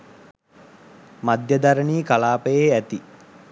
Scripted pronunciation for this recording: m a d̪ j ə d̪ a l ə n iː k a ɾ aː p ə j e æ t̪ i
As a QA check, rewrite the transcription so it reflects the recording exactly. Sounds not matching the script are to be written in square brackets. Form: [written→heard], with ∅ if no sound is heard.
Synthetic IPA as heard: m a d̪ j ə d̪ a [l→ɾ] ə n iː k a [ɾ→l] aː p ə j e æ t̪ i